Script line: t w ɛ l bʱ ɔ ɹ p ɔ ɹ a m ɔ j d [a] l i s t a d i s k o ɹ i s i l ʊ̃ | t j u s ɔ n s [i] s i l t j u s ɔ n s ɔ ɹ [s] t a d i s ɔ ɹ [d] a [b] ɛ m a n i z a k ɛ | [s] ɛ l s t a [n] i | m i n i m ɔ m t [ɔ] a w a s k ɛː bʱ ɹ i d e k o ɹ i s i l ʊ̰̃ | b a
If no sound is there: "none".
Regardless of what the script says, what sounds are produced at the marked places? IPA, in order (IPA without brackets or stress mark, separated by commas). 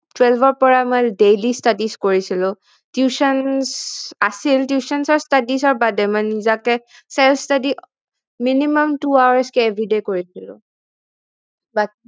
e, a, s, b, d, s, d, u